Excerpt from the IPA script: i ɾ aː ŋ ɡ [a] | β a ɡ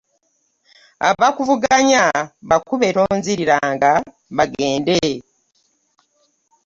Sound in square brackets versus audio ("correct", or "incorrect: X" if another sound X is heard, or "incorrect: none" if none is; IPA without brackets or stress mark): correct